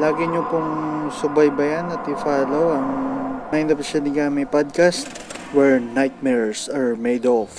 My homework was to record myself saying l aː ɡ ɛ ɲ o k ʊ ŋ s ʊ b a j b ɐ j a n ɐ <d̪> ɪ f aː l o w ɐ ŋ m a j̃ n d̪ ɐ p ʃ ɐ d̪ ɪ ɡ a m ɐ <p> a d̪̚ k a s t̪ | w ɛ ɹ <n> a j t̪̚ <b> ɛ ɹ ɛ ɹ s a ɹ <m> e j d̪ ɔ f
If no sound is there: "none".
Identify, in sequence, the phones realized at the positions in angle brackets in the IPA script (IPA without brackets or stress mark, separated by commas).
t̪, p, n, m, m